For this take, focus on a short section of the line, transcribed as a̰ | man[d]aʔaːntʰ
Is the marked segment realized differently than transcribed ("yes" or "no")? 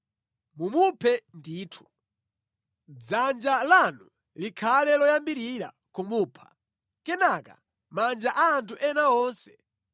yes